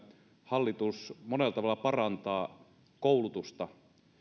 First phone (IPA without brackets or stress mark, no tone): h